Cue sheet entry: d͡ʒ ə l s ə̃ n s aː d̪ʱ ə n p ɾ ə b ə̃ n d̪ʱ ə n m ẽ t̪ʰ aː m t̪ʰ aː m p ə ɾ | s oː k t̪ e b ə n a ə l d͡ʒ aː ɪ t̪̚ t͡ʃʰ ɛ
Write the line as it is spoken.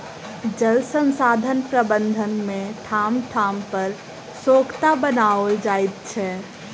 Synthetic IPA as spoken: d͡ʒ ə l s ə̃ n s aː d̪ʱ ə n p ɾ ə b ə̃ n d̪ʱ ə n m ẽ t̪ʰ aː m t̪ʰ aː m p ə ɾ | s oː k t̪ a b ə n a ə l d͡ʒ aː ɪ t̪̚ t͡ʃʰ ɛ